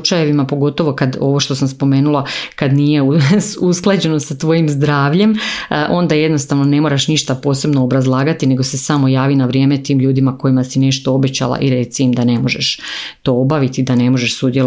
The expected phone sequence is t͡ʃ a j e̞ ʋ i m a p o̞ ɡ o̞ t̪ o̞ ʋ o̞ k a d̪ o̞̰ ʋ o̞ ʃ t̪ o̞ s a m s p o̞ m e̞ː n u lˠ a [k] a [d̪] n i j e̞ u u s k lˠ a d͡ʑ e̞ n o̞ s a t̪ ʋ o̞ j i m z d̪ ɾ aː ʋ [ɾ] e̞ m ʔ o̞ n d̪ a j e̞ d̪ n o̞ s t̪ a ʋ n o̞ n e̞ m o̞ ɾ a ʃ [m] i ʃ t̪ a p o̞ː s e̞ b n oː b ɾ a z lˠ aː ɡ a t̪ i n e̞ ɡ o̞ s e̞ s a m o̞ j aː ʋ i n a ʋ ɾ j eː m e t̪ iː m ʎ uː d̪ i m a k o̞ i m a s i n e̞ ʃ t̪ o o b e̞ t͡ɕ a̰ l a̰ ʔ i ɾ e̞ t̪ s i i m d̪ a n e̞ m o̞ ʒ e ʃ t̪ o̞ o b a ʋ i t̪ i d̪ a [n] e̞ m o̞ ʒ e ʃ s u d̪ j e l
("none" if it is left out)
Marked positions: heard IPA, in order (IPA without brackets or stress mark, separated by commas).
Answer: k, d̪, ʎ, n, n